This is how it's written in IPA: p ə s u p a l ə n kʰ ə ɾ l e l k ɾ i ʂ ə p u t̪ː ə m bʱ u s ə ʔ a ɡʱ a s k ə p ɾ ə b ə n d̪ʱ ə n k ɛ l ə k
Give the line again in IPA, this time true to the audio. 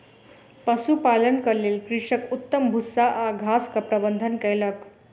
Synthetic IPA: p ə s u p a l ə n k ə ɾ l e l k ɾ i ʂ ə k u t̪ː ə m bʱ u s a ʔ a ɡʱ a s k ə p ɾ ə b ə n d̪ʱ ə n k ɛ l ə k